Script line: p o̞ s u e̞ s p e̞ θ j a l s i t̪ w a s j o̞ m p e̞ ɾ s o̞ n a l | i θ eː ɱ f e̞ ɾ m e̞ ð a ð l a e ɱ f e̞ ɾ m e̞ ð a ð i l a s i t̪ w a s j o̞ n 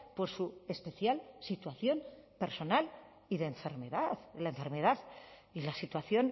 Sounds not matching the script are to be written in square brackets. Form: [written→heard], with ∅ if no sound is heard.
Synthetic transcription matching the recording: p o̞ s u e̞ s p e̞ θ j a l s i t̪ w a [s→θ] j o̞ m p e̞ ɾ s o̞ n a l | i [θ→ð] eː ɱ f e̞ ɾ m e̞ ð a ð l a e ɱ f e̞ ɾ m e̞ ð a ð i l a s i t̪ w a [s→θ] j o̞ n